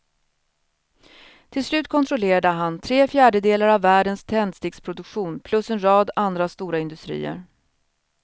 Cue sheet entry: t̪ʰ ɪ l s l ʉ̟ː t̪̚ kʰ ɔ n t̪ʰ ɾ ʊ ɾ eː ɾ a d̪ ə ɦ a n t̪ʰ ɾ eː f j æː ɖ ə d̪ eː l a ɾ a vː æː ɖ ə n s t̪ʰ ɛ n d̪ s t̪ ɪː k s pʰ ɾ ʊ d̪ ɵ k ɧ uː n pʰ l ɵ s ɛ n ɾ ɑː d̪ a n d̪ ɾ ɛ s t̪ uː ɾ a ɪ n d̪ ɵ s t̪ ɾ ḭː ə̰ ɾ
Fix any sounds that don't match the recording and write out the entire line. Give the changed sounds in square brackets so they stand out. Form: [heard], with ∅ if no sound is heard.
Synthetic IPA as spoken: t̪ʰ ɪ l s l ʉ̟ː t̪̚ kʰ ɔ n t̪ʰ ɾ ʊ [l] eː ɾ a d̪ ə ɦ a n t̪ʰ ɾ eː f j æː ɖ ə d̪ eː l a ɾ a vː æː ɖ ə n s t̪ʰ ɛ n d̪ s t̪ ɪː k s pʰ ɾ ʊ d̪ ɵ k ɧ uː n pʰ l ɵ s ɛ n ɾ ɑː d̪ a n d̪ ɾ [a] s t̪ uː ɾ a ɪ n d̪ ɵ s t̪ ɾ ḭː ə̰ ɾ